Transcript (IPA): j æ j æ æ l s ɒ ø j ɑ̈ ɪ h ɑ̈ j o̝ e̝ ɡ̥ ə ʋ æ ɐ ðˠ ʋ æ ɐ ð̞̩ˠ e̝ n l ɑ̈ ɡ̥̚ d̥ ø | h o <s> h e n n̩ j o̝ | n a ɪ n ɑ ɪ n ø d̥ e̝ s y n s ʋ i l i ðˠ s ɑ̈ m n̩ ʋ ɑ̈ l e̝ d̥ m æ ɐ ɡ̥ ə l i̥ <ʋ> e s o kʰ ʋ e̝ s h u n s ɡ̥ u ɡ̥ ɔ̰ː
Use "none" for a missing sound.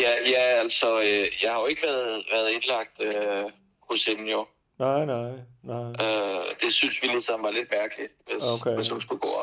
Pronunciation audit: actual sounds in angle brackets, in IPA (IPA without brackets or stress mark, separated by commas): s, ʋ